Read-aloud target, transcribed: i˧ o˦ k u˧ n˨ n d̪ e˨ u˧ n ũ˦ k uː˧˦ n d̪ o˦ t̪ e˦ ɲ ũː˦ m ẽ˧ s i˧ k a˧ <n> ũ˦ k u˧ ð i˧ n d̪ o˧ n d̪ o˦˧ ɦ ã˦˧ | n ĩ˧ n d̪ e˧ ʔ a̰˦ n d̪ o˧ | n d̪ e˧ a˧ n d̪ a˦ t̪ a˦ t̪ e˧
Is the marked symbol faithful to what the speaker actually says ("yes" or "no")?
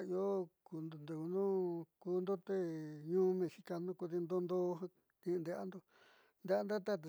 yes